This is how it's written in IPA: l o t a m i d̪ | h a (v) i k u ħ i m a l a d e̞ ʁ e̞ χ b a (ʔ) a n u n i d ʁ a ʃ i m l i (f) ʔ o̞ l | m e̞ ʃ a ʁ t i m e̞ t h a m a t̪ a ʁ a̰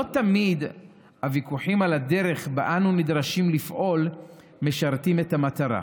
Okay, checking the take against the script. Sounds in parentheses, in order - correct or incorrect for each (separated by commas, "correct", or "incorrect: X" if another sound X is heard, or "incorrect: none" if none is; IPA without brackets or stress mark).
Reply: correct, correct, correct